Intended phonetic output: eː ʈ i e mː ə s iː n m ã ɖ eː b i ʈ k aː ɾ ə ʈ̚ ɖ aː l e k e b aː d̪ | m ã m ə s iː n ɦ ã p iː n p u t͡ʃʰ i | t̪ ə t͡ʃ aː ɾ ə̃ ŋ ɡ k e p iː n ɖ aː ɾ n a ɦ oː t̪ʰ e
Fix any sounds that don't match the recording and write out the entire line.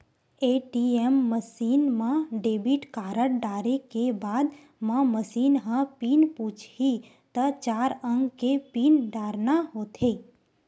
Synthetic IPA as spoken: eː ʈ i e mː ə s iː n m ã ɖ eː b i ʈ k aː ɾ ə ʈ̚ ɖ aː ɾ e k e b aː d̪ | m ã m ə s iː n ɦ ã p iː n p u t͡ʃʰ i | t̪ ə t͡ʃ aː ɾ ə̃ ŋ ɡ k e p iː n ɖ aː ɾ n a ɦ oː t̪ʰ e